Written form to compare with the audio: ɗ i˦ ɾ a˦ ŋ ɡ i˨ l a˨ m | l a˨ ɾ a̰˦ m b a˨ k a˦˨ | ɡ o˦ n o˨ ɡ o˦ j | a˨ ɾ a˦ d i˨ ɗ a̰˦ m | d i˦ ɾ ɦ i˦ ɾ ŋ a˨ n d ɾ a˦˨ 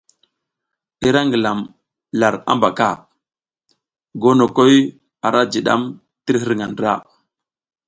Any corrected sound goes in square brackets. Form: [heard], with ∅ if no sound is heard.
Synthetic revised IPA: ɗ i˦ ɾ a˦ ŋ ɡ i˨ l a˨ m | l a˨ ɾ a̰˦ m b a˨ k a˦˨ | ɡ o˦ n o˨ [k] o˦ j | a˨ ɾ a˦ [d͡ʒ] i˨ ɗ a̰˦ m | [t] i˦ ɾ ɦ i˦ ɾ ŋ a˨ n d ɾ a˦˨